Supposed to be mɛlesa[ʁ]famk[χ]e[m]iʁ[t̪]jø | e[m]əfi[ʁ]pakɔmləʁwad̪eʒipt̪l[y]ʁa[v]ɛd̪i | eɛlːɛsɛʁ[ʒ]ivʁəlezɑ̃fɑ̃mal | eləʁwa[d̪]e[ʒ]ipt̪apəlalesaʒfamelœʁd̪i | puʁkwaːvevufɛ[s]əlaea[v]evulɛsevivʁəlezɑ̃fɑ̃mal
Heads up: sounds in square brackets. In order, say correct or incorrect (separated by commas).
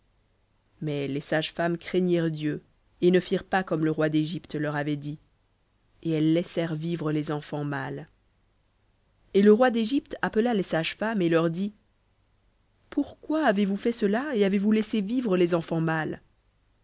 incorrect, correct, incorrect, incorrect, incorrect, correct, incorrect, correct, incorrect, correct, correct, correct, correct